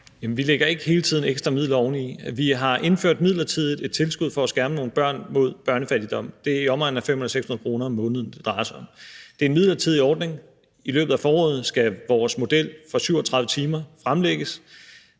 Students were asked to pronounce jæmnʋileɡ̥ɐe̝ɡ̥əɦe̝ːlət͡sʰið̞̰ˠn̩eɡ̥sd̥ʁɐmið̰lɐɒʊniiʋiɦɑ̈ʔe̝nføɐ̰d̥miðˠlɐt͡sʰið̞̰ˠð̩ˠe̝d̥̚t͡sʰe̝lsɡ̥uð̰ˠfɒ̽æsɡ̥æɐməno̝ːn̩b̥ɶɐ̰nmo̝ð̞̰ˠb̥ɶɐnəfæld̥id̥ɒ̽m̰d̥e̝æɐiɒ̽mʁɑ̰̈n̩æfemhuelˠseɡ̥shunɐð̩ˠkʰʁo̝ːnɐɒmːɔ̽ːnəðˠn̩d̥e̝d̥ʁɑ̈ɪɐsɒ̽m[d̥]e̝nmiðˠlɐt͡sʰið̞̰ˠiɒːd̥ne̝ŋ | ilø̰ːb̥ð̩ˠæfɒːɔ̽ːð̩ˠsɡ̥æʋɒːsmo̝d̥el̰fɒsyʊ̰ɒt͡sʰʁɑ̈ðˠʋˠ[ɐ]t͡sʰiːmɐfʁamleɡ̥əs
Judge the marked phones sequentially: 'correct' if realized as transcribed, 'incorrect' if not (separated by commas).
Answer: correct, incorrect